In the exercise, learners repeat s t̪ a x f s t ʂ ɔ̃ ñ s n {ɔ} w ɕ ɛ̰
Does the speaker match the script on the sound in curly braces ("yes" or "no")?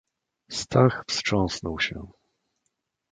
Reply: yes